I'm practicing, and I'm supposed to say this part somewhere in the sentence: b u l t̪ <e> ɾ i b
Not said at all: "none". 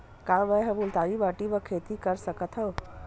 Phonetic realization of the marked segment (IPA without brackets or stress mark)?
a